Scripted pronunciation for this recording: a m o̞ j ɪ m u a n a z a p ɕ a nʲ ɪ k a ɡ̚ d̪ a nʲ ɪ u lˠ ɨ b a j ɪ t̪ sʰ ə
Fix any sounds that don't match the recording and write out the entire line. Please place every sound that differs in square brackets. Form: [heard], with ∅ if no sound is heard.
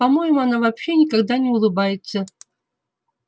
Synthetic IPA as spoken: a m o̞ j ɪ m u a n a [v] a p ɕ [e] nʲ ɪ k a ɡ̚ d̪ a nʲ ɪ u lˠ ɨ b a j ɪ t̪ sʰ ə